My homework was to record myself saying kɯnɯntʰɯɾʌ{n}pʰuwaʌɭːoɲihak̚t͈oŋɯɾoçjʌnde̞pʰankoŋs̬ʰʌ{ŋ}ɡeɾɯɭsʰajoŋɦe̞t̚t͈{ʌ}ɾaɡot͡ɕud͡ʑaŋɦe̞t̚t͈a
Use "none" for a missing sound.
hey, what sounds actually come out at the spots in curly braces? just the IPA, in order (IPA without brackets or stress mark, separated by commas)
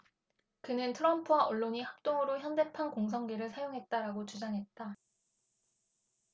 m, ŋ, a